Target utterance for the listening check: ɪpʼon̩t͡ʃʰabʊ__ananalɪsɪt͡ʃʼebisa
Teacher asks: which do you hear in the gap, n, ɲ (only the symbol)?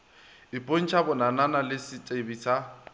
n